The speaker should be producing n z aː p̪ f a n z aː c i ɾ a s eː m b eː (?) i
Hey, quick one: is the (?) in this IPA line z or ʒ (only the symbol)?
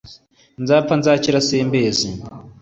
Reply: z